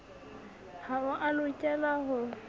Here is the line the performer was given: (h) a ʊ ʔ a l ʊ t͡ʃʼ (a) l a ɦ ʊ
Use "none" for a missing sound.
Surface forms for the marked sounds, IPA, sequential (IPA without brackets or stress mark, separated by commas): h, ɛ